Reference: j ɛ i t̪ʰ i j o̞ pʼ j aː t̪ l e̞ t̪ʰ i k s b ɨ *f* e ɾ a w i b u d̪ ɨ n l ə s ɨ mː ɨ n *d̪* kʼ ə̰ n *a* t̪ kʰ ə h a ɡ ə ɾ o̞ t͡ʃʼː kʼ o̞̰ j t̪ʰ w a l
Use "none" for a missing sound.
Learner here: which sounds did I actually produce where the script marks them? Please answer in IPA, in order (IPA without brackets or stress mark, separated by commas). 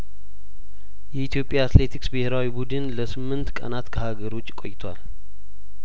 h, t̪, a